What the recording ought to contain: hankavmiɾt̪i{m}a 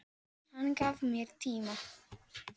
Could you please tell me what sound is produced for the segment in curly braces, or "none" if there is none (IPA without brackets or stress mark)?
m